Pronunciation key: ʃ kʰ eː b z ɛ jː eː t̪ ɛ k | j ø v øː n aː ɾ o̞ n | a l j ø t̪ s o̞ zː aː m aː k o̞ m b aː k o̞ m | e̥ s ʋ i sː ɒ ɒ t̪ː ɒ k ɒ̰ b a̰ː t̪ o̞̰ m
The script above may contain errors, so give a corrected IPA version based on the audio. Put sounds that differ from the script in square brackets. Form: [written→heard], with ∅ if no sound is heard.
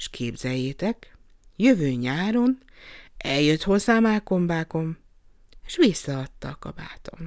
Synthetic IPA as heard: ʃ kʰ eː b z ɛ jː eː t̪ ɛ k | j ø v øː [n→ɲ] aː ɾ o̞ n | [a→ɛ] l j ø t̪ [s→h] o̞ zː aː m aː k o̞ m b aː k o̞ m | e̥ [s→ʃ] ʋ i sː ɒ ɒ t̪ː ɒ k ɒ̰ b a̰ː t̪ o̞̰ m